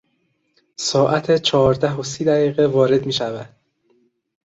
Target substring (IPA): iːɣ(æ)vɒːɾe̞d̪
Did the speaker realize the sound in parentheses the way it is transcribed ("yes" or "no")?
no